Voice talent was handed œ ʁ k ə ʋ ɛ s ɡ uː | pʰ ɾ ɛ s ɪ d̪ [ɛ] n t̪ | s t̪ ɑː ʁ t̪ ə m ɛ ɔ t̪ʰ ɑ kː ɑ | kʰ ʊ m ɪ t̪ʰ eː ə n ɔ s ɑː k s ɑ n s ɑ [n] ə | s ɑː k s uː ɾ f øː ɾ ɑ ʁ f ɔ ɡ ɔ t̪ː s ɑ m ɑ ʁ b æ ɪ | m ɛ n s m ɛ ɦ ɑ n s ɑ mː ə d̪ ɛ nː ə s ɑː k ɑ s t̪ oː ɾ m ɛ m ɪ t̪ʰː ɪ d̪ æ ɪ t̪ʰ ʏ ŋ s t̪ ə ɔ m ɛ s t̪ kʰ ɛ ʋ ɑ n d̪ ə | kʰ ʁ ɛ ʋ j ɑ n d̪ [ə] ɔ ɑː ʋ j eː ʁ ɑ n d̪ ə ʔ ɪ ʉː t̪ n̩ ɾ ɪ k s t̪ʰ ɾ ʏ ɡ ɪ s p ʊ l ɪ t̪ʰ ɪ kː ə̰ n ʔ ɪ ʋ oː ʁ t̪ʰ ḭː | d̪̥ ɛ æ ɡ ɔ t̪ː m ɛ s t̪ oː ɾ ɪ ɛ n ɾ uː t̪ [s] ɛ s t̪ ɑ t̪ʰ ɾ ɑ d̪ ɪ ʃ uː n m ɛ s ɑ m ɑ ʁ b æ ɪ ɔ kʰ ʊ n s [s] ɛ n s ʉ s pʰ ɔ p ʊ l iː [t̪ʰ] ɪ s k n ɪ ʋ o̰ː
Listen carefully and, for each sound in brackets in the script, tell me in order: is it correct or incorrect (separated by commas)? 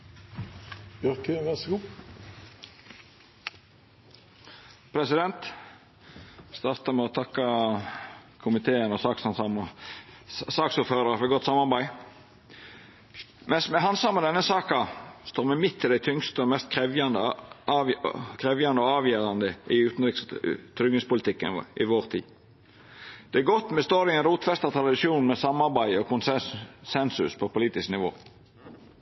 correct, incorrect, correct, incorrect, correct, incorrect